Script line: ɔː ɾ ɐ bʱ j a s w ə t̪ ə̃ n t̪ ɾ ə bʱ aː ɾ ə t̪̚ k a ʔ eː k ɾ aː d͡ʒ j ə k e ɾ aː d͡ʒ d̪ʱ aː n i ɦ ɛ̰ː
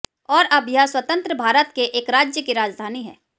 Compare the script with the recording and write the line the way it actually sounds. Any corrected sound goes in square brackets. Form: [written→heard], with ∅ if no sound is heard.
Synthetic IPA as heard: ɔː ɾ ɐ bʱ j a s w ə t̪ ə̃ n t̪ ɾ ə bʱ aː ɾ ə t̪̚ k [a→e] ʔ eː k ɾ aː d͡ʒ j ə k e ɾ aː d͡ʒ d̪ʱ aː n i ɦ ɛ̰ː